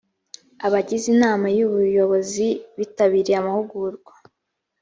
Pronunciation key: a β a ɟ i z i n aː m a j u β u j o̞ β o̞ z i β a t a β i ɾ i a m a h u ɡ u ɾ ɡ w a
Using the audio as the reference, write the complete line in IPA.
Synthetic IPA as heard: a β a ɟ i z i n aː m a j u β u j o̞ β o̞ z i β i t a β i ɾ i a m a h u ɡ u ɾ ɡ w a